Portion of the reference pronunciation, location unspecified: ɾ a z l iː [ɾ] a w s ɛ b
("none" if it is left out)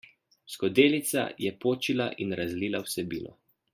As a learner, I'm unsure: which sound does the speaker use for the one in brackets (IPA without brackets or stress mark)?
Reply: l